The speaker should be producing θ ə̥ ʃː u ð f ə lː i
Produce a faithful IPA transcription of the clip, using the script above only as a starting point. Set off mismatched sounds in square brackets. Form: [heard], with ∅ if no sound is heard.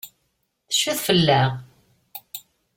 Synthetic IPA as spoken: θ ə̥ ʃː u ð f ə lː [æ]